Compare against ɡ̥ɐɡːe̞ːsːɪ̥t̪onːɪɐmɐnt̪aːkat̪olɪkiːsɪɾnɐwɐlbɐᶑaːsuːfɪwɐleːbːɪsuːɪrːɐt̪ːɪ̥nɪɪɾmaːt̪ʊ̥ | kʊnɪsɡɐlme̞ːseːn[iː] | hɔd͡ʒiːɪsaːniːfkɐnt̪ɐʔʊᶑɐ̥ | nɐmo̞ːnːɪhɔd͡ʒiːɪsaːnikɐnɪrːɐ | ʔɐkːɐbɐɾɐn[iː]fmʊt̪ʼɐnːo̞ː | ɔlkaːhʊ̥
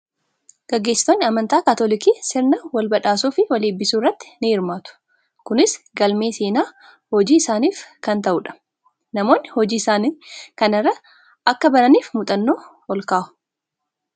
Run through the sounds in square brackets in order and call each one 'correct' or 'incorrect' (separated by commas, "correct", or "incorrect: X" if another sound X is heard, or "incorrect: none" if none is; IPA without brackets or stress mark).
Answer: incorrect: aː, correct